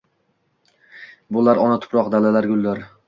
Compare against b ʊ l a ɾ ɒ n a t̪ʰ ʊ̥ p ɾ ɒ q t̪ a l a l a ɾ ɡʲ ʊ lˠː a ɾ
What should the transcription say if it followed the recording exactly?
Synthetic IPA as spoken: b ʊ l a ɾ ɒ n a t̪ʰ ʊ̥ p ɾ ɒ q d̪ a l a l a ɾ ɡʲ ʊ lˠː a ɾ